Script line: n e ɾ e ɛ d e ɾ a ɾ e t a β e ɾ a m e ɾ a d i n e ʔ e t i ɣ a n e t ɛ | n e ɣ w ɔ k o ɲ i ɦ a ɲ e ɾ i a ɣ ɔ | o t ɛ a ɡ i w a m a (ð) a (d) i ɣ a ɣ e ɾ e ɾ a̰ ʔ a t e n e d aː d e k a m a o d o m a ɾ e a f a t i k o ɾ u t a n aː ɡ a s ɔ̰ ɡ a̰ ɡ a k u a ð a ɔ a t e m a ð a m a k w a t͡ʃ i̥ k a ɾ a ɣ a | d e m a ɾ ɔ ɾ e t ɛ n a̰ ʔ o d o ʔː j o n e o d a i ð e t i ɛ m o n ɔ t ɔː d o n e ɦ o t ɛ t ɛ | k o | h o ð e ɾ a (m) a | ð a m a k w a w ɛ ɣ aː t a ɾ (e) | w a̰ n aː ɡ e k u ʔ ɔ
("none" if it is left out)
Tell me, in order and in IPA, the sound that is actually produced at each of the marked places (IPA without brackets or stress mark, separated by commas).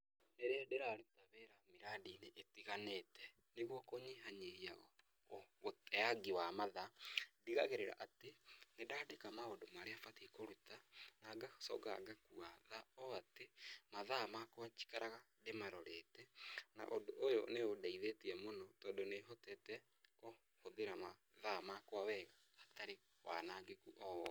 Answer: ð, d, m, e